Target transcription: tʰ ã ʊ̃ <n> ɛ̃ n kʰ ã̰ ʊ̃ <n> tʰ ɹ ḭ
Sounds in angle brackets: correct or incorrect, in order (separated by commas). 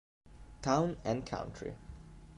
correct, correct